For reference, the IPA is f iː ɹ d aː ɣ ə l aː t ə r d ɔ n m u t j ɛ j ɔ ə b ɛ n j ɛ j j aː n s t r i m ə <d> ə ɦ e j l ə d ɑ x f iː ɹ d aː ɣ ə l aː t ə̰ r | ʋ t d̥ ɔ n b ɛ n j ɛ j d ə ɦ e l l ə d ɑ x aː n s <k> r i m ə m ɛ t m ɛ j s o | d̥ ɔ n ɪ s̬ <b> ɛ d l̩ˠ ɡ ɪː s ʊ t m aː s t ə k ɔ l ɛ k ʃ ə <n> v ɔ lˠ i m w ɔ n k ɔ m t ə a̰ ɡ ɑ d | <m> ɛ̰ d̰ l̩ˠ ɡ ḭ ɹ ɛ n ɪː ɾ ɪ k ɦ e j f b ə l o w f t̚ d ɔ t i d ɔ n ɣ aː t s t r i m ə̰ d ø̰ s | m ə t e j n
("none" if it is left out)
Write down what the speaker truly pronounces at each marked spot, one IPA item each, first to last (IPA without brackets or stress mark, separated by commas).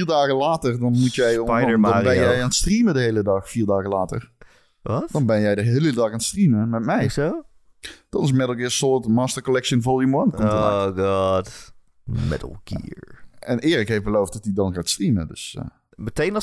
d, t, m, n, m